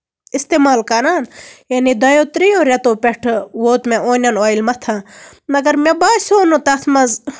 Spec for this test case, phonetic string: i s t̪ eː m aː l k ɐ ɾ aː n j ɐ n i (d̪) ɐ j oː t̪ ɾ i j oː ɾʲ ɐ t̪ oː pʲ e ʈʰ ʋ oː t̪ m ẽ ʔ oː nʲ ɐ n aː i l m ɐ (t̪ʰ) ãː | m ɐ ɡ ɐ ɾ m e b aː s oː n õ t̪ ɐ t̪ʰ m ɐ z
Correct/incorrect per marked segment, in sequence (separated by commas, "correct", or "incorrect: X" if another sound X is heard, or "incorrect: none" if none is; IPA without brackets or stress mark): correct, correct